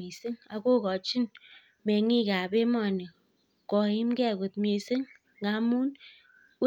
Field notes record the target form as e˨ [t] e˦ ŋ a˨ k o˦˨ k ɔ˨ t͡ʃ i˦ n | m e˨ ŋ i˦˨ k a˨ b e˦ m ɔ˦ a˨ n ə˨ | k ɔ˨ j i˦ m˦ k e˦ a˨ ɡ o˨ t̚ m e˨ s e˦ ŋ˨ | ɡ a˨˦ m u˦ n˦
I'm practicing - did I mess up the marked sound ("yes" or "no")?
yes